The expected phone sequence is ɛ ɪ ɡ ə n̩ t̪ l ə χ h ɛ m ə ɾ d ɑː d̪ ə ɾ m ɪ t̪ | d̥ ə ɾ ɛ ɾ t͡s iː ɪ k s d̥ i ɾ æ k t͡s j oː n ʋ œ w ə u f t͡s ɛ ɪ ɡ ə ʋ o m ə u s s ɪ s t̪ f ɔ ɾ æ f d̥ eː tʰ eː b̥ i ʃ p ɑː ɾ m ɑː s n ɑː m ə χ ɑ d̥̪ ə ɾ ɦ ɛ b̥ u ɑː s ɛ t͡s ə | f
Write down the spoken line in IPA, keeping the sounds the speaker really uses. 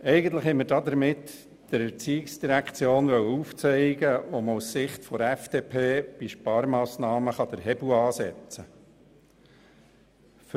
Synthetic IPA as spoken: ɛ ɪ ɡ ə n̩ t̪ l ə χ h ɛ m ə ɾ d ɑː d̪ ə ɾ m ɪ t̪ | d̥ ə ɾ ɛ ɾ t͡s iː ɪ k s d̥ i ɾ æ k t͡s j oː n ʋ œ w ə u f t͡s ɛ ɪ ɡ ə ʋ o m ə u s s ɪ χ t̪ f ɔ ɾ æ f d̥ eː pʰ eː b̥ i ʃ p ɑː ɾ m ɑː s n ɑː m ə χ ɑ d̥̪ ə ɾ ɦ ɛ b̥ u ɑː s ɛ t͡s ə | f